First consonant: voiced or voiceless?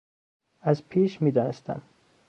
voiced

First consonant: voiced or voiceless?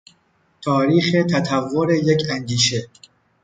voiceless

